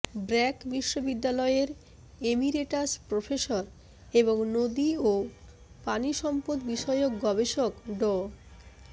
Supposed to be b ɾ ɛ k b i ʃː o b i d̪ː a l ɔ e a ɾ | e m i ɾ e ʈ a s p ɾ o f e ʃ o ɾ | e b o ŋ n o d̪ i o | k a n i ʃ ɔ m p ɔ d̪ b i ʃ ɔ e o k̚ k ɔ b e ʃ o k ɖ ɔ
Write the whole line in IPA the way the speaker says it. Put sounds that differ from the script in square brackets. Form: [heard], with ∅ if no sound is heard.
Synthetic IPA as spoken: b ɾ ɛ k b i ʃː o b i d̪ː a l ɔ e [e] ɾ | e m i ɾ e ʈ a s p ɾ o f e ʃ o ɾ | e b o ŋ n o d̪ i o | [p] a n i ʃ ɔ m p [o] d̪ b i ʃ ɔ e o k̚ [ɡ] ɔ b e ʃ o k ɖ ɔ